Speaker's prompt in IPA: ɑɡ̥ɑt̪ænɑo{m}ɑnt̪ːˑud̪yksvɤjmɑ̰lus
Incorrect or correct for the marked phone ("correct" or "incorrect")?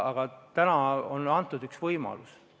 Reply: incorrect